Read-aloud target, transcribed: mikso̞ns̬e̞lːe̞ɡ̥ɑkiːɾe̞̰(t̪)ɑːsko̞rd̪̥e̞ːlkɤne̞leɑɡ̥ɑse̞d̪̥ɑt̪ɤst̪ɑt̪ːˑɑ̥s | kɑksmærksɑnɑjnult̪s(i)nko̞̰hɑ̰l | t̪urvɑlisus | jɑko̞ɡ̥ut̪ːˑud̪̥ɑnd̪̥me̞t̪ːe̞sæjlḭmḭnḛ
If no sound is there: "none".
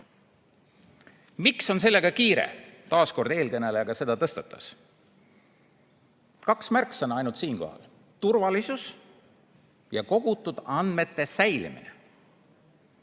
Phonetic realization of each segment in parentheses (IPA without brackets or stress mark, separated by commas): t̪, iː